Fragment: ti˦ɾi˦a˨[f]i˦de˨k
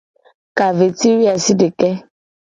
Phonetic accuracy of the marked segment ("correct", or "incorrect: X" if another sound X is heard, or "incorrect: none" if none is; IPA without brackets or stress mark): incorrect: s